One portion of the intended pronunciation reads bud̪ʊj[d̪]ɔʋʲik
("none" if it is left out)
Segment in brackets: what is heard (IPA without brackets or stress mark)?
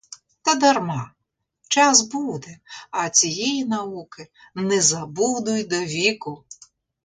d̪